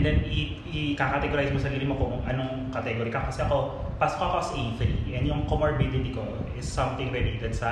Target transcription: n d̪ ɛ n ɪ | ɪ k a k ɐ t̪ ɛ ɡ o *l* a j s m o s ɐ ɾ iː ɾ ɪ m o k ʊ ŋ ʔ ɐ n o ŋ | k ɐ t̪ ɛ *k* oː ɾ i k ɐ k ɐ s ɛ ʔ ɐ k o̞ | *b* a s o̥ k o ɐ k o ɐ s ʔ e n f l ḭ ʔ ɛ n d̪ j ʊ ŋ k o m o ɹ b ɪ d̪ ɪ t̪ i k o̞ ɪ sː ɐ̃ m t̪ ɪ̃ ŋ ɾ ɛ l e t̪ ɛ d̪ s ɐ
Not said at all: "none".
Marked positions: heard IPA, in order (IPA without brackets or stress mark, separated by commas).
ɾ, ɡ, p